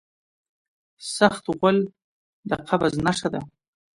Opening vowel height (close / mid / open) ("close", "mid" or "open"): open